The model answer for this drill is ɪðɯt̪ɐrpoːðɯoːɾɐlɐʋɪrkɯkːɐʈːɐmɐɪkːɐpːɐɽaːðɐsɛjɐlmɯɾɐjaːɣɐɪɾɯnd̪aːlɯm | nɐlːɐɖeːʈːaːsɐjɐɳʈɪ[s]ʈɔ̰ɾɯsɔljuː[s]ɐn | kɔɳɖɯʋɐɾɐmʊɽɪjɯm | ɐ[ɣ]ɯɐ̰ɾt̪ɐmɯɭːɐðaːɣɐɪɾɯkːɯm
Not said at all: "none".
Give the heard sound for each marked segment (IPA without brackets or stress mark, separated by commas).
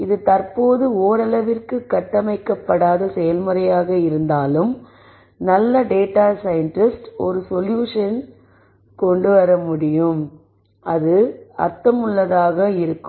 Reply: s, ʂ, ð